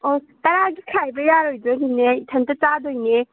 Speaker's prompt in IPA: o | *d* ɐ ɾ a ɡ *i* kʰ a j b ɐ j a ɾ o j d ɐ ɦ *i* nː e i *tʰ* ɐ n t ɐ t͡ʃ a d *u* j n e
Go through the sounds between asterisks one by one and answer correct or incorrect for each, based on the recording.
incorrect: t, correct, correct, correct, incorrect: o

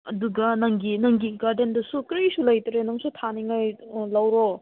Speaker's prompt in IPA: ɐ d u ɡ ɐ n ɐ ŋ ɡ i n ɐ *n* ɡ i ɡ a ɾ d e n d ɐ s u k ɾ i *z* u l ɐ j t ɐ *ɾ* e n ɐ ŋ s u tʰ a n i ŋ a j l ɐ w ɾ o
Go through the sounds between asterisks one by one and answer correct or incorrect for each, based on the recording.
incorrect: ŋ, incorrect: s, correct

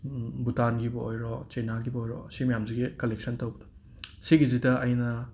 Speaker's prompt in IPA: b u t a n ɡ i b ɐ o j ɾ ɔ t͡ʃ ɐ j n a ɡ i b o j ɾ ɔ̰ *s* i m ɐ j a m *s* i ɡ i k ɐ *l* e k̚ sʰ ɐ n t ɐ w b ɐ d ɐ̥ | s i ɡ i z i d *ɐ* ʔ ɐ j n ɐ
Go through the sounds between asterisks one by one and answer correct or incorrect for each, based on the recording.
correct, incorrect: z, correct, correct

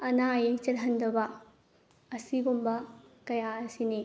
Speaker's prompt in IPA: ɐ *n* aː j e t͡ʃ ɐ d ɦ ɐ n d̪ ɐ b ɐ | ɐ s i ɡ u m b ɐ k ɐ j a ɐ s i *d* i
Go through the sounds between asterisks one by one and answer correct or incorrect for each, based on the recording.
correct, incorrect: n

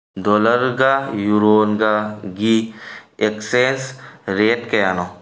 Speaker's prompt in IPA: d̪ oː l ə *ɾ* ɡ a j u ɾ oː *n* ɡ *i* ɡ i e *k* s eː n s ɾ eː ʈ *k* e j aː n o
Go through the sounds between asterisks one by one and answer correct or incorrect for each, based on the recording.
correct, correct, incorrect: a, correct, correct

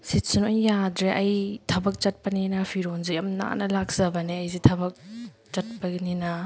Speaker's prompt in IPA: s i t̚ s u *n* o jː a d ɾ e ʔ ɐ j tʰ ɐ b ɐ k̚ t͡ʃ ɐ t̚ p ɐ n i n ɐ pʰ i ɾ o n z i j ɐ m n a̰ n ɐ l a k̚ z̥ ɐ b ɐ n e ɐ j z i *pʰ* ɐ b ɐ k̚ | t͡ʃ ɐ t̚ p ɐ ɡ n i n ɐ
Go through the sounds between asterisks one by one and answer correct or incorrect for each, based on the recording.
correct, incorrect: tʰ

